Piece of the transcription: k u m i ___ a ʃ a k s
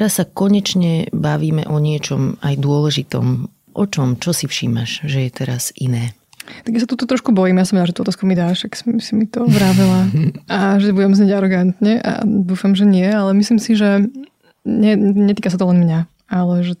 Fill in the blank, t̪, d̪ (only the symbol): d̪